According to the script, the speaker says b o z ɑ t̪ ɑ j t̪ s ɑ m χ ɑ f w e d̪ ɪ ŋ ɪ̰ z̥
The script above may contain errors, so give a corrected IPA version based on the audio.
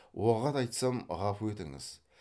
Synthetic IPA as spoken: w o ʁ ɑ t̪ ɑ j t̪ s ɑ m ʁ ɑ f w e t̪ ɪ ŋ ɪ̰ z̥